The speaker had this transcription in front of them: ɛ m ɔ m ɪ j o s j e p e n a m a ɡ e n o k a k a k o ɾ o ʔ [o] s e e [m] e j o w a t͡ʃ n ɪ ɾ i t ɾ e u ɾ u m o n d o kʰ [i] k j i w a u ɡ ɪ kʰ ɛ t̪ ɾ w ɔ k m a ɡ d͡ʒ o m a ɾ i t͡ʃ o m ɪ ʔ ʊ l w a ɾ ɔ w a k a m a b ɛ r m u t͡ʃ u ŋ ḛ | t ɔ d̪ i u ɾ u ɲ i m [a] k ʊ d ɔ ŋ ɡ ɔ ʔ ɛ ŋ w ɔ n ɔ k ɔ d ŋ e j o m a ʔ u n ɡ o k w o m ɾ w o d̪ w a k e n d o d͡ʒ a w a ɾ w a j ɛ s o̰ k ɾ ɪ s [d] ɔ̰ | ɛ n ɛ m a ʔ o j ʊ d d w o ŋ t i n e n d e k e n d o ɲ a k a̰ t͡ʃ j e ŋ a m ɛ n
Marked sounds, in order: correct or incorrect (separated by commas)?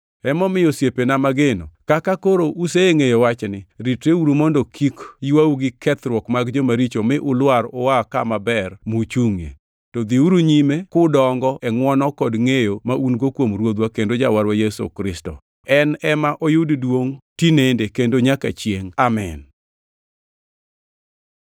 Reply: incorrect, incorrect, correct, incorrect, incorrect